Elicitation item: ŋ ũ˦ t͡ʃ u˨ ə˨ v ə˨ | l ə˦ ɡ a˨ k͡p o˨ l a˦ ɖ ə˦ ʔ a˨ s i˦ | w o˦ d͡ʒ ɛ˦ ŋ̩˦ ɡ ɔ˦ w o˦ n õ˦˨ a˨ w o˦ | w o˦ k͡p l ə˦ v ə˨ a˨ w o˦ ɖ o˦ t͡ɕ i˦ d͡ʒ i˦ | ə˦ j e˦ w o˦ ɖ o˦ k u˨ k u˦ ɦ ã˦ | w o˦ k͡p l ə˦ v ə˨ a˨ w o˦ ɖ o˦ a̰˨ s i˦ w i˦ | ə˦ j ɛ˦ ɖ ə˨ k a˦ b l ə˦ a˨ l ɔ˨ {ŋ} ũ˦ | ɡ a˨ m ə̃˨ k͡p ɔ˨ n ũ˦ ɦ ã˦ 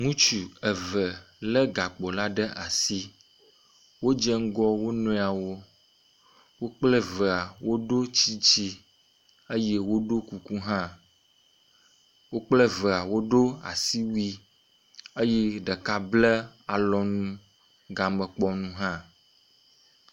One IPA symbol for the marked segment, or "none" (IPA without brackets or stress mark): n